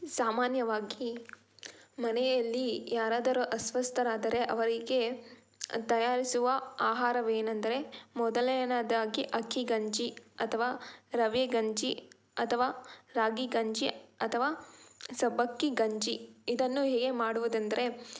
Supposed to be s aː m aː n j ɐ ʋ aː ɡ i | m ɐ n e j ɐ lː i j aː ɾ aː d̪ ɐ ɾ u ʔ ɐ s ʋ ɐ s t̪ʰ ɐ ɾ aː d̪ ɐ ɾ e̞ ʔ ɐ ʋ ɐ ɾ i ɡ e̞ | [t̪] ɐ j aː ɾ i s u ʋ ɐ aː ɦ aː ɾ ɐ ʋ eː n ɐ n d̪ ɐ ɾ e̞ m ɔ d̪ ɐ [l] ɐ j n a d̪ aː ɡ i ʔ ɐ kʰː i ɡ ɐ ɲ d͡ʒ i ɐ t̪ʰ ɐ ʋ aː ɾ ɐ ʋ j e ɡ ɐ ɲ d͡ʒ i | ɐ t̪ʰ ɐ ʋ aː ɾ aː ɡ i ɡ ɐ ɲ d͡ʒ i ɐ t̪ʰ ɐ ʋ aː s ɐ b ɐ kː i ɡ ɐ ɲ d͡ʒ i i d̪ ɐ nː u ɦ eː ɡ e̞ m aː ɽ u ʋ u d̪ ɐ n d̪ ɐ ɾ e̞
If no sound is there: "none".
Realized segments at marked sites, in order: t̪, l

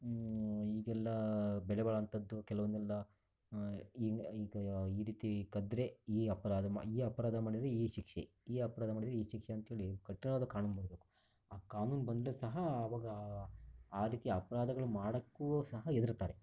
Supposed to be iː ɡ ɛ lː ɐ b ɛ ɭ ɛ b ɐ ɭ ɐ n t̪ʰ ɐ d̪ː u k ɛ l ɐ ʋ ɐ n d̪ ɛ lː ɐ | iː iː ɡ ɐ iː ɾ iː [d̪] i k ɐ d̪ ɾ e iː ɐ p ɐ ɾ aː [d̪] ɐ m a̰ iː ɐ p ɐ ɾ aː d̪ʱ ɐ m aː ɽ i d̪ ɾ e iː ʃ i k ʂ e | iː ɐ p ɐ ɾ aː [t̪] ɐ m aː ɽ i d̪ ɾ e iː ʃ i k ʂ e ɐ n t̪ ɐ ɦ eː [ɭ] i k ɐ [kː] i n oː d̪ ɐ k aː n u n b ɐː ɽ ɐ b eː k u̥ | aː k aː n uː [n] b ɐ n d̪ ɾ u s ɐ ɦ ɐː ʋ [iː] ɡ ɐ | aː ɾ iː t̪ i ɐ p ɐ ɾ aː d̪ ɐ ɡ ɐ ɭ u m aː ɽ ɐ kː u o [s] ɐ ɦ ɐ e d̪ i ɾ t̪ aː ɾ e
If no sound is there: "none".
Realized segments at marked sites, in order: t̪, d̪, d̪, ɭ, ʈː, n, aː, s

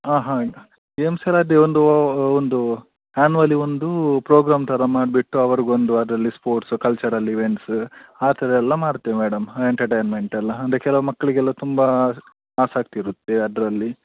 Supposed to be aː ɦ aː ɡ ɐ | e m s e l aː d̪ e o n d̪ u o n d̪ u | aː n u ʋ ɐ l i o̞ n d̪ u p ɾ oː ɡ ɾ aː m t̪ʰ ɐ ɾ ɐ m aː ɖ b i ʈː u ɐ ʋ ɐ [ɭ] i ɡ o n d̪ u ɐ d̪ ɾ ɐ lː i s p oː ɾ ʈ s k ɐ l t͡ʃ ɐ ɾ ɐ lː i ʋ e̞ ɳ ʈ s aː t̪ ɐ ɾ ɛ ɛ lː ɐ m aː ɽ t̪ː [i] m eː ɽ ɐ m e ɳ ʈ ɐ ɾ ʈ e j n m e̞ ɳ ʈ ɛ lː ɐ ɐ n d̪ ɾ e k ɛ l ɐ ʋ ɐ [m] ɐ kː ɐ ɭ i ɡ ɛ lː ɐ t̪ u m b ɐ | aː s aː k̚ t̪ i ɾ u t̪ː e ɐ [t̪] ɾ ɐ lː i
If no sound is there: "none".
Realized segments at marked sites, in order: ɾ, e, m, d̪

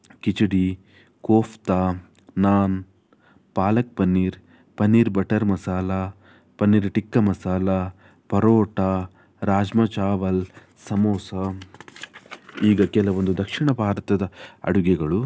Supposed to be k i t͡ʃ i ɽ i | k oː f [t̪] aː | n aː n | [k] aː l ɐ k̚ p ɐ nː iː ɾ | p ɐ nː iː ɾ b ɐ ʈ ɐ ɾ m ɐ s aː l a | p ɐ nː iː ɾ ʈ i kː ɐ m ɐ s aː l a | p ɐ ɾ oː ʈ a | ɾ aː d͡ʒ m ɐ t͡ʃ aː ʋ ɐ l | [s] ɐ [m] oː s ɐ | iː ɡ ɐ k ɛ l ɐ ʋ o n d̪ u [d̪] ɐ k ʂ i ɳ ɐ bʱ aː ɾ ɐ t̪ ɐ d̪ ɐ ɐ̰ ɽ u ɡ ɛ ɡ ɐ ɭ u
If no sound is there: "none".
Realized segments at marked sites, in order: t̪, p, s, m, d̪

